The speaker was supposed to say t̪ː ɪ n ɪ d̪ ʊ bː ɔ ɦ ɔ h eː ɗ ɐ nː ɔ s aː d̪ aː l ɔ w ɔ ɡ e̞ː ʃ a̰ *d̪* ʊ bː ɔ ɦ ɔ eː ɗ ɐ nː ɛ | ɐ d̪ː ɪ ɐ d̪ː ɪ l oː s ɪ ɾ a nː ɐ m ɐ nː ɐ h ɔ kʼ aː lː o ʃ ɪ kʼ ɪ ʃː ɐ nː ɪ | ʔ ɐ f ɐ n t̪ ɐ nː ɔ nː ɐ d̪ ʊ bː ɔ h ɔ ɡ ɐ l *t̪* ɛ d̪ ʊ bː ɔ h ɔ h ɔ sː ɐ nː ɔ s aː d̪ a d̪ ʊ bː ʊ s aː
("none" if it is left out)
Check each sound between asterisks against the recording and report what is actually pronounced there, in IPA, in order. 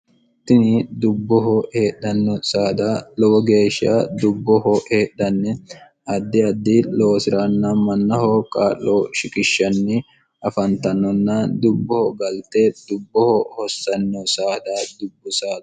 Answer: d̪, t̪

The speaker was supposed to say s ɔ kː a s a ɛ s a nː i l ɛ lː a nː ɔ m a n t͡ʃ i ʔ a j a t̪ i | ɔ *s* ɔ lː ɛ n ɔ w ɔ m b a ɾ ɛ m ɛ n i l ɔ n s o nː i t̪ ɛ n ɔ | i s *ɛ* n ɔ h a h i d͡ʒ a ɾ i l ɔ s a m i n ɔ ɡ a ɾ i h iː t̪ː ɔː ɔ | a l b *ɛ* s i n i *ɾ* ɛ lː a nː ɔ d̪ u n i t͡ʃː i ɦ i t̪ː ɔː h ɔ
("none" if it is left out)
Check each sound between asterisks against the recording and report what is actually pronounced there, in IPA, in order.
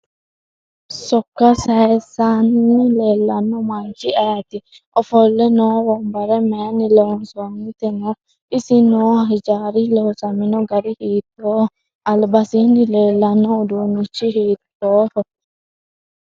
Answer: f, i, a, l

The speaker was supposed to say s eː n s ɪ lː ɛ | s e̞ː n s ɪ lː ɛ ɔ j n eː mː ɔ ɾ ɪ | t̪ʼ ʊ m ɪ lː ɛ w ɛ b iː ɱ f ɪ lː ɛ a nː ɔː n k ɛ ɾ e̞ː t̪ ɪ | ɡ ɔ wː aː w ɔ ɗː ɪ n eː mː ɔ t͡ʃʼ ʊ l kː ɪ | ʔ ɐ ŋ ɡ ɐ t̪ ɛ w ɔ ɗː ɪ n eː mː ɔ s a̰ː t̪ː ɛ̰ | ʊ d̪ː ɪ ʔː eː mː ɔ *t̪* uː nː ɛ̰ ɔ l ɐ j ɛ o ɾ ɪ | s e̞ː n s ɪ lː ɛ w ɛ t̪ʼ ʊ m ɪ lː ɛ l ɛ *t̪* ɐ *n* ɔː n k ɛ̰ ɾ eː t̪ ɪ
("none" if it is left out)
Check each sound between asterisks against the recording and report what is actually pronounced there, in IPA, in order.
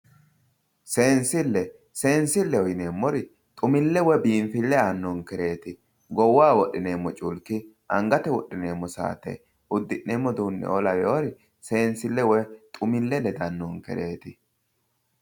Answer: d̪, d̪, nː

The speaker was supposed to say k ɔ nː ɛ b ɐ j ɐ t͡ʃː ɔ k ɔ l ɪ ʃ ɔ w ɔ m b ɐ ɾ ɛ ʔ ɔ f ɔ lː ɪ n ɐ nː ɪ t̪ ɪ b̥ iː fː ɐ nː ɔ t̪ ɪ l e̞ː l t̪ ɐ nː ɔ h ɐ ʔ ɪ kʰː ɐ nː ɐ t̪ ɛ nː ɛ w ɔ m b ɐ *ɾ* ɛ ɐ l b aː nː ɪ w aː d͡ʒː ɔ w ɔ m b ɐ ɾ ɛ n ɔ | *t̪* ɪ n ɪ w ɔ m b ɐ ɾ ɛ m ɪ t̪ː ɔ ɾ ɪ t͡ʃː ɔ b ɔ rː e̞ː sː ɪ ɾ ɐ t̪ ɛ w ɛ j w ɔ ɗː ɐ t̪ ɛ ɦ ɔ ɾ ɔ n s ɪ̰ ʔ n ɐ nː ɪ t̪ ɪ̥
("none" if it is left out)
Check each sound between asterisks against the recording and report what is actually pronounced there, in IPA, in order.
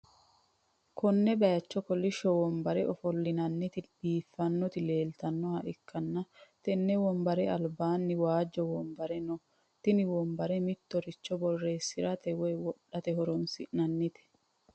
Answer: ɾ, t̪

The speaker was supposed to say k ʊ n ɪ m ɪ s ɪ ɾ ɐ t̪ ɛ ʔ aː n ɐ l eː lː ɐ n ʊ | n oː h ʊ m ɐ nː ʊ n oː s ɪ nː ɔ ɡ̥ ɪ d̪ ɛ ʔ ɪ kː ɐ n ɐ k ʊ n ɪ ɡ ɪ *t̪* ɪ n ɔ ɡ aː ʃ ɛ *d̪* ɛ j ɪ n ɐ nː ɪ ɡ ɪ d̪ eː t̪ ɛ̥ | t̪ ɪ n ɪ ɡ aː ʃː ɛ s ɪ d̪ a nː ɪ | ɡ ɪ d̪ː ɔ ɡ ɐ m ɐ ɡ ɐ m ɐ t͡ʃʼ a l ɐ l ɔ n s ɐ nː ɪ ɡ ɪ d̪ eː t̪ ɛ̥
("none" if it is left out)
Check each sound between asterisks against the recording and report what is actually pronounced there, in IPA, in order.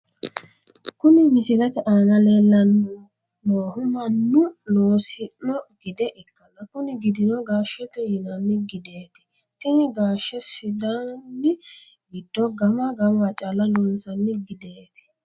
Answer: d̪, t̪

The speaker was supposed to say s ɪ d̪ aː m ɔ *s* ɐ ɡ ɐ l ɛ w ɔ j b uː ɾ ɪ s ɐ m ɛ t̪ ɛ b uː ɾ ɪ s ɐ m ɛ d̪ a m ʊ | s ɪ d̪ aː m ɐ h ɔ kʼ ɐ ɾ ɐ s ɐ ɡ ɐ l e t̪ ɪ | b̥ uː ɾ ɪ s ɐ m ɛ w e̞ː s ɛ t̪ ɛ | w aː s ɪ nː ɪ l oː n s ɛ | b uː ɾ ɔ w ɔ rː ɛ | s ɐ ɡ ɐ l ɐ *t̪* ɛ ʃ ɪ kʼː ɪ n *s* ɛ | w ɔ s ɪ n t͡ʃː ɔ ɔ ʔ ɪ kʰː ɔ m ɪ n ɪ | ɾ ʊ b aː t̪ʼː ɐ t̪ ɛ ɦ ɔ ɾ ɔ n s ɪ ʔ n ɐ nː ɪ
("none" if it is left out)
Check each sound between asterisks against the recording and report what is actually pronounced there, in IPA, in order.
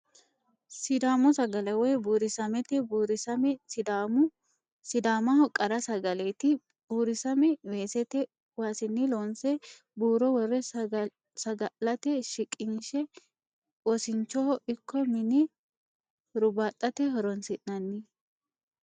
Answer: s, t̪, ʃ

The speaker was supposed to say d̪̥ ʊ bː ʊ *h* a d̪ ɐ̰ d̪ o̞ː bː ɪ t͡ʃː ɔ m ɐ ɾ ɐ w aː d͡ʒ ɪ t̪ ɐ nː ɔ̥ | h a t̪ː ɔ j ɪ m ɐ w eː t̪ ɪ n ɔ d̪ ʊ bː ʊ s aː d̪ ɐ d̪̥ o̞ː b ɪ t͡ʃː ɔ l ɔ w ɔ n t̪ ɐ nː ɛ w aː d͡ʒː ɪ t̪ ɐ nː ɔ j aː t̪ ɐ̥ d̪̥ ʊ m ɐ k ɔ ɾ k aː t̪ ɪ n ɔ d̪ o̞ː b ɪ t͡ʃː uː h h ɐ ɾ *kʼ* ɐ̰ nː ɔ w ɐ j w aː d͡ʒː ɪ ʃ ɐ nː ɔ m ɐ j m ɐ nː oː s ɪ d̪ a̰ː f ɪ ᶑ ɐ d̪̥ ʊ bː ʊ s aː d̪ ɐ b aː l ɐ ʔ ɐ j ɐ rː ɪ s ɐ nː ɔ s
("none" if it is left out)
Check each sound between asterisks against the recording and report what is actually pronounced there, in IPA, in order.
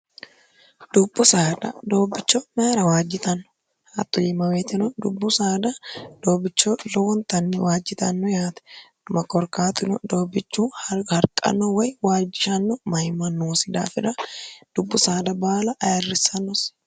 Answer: s, kʼ

